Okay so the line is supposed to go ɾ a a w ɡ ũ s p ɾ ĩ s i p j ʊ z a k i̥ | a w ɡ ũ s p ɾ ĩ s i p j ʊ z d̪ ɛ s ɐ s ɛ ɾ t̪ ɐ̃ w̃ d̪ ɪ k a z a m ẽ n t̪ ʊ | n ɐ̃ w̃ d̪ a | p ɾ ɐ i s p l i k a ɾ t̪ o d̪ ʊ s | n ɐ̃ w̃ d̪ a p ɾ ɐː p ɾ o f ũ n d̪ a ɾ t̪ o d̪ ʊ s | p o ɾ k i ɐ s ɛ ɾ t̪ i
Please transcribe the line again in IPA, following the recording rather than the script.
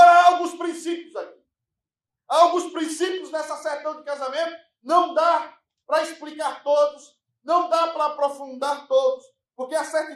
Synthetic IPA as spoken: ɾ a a w ɡ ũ s p ɾ ĩ s i p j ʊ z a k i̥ | a w ɡ ũ s p ɾ ĩ s i p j ʊ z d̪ ɛ s ɐ s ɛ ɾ t̪ ɐ̃ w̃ d̪ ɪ k a z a m ẽ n t̪ ʊ | n ɐ̃ w̃ d̪ a | p ɾ ɐ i s p l i k a ɾ t̪ o d̪ ʊ s | n ɐ̃ w̃ d̪ a p ɾ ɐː p ɾ o f ũ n d̪ a ɾ t̪ o d̪ ʊ s | p o ɾ k e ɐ s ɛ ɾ t̪ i